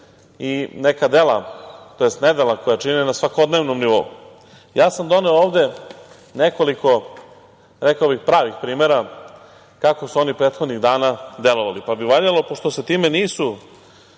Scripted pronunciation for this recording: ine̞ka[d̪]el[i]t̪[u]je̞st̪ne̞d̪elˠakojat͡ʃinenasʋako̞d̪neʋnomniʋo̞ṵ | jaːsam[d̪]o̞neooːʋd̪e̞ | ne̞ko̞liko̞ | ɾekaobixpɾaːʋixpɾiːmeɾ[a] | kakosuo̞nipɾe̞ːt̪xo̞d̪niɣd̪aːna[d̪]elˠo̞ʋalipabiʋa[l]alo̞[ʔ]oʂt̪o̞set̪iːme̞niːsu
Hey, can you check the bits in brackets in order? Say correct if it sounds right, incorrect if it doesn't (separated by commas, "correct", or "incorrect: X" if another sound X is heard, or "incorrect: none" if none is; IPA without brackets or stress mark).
correct, incorrect: a, incorrect: o, correct, correct, correct, incorrect: ʎ, incorrect: p